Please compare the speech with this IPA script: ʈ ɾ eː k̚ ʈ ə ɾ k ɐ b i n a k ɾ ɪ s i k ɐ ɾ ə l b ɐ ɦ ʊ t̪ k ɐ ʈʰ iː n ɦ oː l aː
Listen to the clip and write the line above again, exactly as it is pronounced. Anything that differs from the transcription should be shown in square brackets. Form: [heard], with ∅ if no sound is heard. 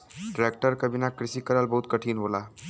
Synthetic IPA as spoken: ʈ ɾ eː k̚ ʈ ə ɾ k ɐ b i n a k ɾ ɪ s i k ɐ ɾ ə l b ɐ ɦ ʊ t̪ k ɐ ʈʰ iː n ɦ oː l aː